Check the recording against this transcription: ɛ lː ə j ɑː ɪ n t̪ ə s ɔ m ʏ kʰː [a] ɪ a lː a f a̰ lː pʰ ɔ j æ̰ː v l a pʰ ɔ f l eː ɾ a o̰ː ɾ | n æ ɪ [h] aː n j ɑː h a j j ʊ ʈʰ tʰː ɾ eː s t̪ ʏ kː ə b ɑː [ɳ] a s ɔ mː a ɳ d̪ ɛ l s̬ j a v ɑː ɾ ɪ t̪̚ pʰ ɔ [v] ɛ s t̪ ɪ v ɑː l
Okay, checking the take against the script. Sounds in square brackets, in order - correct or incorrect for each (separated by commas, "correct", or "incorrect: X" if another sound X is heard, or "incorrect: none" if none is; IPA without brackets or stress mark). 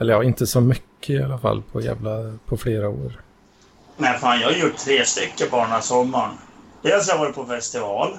incorrect: ə, incorrect: f, correct, incorrect: f